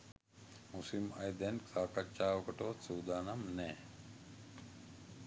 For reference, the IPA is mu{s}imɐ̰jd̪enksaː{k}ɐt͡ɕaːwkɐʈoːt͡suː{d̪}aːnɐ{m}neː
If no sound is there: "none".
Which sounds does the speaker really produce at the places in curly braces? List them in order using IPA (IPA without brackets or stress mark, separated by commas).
s, k, d̪, m